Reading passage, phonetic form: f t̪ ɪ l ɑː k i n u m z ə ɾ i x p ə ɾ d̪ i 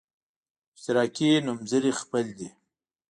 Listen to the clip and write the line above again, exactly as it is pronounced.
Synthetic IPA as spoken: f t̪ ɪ ɾ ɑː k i n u m z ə ɾ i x p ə l d̪ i